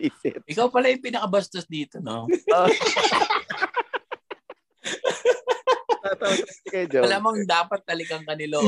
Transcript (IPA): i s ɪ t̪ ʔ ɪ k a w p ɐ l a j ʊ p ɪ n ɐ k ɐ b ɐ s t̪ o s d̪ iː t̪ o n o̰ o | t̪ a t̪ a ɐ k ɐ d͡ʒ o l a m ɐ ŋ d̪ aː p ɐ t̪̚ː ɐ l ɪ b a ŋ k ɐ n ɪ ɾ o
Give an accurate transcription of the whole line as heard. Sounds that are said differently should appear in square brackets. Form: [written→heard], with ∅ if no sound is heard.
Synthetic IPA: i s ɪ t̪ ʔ ɪ k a w p ɐ l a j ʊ p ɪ n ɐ k ɐ b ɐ s t̪ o s d̪ iː t̪ o n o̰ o | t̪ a t̪ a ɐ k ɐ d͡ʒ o l a m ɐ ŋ d̪ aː p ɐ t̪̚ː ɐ l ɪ [b→ɡ] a ŋ k ɐ n ɪ [ɾ→l] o